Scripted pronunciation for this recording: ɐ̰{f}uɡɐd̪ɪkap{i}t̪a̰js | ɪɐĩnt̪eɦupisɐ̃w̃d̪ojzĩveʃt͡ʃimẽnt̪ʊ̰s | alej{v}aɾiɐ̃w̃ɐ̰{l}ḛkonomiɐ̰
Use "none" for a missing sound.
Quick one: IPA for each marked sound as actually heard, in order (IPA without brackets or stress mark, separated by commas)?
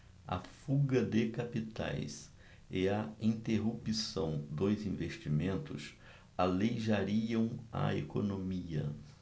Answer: f, i, ʒ, none